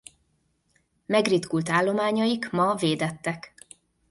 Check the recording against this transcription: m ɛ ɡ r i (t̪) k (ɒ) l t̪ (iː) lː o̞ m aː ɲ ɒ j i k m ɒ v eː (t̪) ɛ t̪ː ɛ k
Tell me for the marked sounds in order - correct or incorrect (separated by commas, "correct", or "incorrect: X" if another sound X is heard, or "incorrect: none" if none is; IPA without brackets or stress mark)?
correct, incorrect: u, incorrect: aː, incorrect: d̪